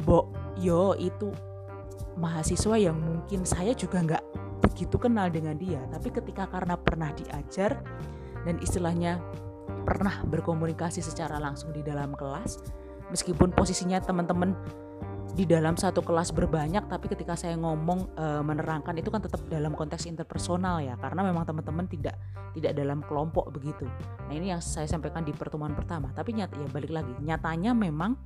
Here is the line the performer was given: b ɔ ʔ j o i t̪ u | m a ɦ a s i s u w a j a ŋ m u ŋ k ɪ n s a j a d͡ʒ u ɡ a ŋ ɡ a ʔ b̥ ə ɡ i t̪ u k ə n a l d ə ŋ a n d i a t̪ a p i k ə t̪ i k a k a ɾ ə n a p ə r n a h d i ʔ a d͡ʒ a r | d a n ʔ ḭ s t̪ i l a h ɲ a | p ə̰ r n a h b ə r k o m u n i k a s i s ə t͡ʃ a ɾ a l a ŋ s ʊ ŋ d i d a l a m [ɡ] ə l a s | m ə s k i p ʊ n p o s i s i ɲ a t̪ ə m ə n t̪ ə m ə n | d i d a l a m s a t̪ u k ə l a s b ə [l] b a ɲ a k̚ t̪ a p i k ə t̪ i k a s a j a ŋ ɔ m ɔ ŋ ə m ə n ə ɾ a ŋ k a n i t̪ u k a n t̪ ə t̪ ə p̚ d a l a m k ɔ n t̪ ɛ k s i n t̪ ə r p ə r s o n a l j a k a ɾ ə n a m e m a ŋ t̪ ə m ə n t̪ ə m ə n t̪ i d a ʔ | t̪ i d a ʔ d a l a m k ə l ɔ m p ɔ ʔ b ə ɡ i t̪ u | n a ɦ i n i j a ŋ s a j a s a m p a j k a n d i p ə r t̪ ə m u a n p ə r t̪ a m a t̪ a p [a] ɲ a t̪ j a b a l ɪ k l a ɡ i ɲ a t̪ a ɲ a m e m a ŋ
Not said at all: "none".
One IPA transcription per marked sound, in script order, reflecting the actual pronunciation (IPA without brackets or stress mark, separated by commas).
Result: k, r, i